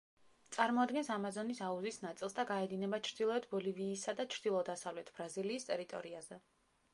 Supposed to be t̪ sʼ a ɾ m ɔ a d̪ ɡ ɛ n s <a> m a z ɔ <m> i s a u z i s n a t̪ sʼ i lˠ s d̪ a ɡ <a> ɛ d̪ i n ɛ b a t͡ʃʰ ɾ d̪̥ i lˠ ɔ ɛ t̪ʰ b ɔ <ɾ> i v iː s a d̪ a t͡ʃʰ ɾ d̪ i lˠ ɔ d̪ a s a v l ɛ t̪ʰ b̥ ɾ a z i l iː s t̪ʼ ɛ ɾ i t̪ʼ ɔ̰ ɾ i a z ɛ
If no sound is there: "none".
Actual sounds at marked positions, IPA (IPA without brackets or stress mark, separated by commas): a, n, a, l